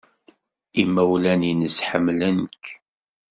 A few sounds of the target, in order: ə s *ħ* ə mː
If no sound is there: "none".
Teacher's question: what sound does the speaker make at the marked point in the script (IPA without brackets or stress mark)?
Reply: ħ